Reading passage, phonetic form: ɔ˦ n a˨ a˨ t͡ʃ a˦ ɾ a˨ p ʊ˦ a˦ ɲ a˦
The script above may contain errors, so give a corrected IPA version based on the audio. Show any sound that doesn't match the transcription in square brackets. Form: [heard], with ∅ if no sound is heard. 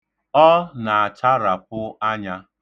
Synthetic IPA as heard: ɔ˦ n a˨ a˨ t͡ʃ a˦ ɾ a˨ p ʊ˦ a˦ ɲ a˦

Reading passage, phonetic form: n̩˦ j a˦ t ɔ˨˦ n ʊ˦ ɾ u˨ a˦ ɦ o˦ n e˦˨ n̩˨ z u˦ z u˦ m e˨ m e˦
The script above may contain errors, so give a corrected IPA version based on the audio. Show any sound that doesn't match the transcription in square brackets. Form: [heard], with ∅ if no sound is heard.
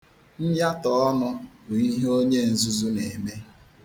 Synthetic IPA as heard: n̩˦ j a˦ t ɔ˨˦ n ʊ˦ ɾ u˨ [i˦] ɦ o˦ [ɲ] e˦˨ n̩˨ z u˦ z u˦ [n] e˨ m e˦

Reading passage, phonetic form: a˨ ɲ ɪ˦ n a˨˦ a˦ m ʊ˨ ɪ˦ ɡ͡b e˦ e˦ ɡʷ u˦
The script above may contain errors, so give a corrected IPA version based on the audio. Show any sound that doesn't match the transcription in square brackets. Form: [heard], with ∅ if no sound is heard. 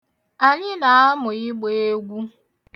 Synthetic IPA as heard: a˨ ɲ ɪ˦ n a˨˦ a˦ m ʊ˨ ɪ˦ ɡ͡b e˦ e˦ ɡʷ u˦

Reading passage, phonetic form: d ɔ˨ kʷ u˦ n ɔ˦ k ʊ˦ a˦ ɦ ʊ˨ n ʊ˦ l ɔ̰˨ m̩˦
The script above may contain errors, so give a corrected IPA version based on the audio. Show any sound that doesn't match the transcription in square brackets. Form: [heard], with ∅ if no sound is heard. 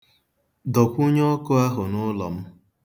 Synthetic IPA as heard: d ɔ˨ kʷ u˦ [ɲ] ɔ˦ k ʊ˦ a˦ ɦ ʊ˨ n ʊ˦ l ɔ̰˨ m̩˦

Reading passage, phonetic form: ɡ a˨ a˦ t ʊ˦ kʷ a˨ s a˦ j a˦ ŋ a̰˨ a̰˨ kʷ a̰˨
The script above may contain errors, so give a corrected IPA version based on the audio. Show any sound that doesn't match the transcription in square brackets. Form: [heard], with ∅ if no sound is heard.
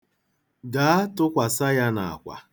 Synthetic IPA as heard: ɡ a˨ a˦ t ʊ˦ kʷ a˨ s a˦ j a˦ [n] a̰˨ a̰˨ kʷ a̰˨

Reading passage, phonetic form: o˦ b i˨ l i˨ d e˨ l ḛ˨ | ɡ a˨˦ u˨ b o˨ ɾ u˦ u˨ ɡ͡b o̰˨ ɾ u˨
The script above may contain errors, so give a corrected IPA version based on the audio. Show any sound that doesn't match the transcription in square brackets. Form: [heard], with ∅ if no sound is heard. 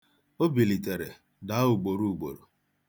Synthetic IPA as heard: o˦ b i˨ l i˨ [t] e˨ [ɾ] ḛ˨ | [d] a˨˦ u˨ [ɡ͡b] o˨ ɾ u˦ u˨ ɡ͡b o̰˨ ɾ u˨

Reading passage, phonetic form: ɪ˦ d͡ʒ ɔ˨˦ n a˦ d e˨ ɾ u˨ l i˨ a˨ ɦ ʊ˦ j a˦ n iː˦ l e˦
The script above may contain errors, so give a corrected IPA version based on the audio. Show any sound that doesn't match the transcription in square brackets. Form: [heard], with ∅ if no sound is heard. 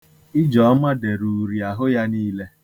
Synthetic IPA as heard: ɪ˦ d͡ʒ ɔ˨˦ [m] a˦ d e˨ ɾ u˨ [ɾ] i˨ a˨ ɦ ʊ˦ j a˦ n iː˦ l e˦

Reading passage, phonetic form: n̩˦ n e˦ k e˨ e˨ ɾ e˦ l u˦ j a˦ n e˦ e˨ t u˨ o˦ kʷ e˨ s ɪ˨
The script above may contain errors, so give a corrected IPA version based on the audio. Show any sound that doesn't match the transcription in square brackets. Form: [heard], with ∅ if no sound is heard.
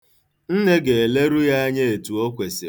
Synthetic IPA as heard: n̩˦ n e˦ [ɡ] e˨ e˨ [l] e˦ [ɾ] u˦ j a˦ [ɲ] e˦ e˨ t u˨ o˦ kʷ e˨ s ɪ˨

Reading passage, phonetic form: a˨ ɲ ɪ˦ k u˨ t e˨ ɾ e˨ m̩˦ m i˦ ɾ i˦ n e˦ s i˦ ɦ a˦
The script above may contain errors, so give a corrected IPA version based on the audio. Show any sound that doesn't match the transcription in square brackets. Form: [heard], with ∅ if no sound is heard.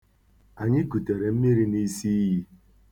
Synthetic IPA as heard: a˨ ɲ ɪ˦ k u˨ t e˨ ɾ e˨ m̩˦ m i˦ ɾ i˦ n [i˦] s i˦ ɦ [i˦]

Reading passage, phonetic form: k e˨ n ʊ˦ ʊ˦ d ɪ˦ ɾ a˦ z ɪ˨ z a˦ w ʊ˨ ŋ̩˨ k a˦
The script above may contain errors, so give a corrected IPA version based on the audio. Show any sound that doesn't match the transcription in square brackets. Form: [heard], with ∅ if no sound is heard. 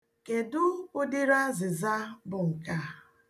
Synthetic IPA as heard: k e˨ [d] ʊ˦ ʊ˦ d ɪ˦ ɾ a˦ z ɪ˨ z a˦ [b] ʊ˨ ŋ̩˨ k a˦

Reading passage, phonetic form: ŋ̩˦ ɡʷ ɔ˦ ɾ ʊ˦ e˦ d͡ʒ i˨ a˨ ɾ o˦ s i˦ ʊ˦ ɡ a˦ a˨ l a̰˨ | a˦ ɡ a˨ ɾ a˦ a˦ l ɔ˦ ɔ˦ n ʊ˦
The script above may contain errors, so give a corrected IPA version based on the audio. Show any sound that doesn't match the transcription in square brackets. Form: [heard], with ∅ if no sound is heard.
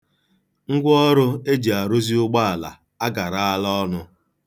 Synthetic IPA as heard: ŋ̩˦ ɡʷ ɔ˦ ɾ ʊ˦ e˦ d͡ʒ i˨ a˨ ɾ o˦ [z] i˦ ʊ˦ [ɡ͡b] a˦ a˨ l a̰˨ | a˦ ɡ a˨ ɾ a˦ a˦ l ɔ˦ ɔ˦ n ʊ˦

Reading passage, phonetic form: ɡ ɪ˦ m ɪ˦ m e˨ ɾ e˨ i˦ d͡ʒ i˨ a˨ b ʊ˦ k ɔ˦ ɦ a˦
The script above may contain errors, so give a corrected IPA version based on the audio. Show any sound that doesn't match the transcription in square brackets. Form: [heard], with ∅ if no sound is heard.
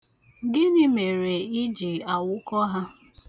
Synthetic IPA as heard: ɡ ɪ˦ [n] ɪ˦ m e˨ ɾ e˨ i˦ d͡ʒ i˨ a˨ [w] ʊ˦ k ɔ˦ ɦ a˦

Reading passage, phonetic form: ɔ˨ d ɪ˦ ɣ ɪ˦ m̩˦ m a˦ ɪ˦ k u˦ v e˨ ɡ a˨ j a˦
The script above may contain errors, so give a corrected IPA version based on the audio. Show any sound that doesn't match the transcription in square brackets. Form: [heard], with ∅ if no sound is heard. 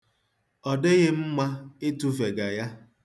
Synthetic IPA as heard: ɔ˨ d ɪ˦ ɣ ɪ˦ m̩˦ m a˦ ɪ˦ [t] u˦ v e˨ ɡ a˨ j a˦

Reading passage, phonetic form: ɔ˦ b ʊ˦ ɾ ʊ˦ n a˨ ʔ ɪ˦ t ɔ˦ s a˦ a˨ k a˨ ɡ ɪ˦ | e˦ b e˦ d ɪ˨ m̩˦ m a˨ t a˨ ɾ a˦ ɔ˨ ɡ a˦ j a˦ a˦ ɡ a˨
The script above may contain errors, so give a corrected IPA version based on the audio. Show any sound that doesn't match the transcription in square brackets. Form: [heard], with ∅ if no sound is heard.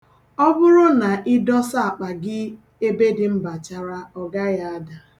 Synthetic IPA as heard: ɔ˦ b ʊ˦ ɾ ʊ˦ n a˨ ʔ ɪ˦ [d] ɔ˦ s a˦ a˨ [k͡p] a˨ ɡ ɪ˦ | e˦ b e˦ d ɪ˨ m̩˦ [b] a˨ [t͡ʃ] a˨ ɾ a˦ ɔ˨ ɡ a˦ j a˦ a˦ [d] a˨

